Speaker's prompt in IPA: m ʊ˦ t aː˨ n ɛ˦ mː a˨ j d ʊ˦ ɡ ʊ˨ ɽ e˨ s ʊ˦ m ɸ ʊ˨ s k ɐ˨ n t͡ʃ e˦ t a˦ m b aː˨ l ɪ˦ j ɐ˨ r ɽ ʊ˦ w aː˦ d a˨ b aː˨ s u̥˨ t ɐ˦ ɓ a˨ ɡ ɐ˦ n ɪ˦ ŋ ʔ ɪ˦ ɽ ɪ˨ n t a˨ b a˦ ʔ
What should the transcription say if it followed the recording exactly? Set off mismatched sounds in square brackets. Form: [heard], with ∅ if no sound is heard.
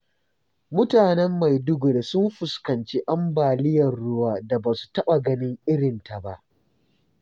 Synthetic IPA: m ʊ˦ t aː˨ n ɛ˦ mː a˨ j d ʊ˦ ɡ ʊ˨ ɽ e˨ s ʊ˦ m ɸ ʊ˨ s k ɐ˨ n t͡ʃ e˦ [ʔ] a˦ m b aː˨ l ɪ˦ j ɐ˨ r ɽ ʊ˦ w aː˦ d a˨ b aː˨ s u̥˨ t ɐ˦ ɓ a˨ ɡ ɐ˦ n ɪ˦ ŋ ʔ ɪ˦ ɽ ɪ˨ n t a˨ b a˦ ʔ